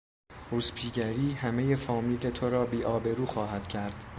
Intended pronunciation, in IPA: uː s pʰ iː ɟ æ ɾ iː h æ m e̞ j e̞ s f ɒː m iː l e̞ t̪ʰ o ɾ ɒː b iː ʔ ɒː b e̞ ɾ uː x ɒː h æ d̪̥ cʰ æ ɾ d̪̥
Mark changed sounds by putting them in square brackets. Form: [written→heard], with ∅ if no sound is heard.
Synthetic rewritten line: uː s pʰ iː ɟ æ ɾ iː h æ m e̞ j e̞ [s→∅] f ɒː m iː l e̞ t̪ʰ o ɾ ɒː b iː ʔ ɒː b e̞ ɾ uː x ɒː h æ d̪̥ cʰ æ ɾ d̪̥